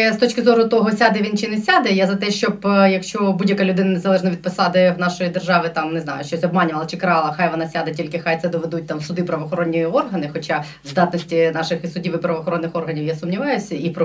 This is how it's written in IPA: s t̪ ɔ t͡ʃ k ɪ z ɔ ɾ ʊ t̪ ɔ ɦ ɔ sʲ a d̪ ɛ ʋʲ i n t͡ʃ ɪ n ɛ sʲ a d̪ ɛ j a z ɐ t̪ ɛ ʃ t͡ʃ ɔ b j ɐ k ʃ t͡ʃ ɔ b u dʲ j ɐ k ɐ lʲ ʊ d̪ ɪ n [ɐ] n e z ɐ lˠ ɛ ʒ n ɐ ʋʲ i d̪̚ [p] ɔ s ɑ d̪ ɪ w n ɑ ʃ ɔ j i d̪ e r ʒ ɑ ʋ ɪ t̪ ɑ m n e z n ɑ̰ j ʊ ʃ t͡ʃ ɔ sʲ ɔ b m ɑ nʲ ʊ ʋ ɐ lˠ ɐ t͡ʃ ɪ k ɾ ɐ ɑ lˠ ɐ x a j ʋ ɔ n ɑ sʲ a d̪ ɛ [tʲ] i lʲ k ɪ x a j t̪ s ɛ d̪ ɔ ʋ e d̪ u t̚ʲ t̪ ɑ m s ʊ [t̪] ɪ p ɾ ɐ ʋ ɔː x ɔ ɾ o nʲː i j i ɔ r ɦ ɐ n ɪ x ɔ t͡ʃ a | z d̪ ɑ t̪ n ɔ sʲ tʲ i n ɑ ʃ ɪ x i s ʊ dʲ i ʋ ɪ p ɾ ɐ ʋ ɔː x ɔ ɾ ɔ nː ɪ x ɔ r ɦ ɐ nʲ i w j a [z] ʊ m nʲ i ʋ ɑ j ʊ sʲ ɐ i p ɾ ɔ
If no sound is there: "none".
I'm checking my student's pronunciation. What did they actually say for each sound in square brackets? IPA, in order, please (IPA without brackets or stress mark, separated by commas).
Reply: ɐ, p, tʲ, d̪, s